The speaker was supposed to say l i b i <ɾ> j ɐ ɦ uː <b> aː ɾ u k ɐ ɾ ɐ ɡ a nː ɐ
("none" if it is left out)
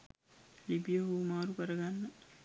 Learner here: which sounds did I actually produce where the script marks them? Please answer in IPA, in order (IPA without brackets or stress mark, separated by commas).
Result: none, m